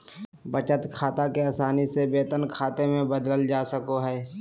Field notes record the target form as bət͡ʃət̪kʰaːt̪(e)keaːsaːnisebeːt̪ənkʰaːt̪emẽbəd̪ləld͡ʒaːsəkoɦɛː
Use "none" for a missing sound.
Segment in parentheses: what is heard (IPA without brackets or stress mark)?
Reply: a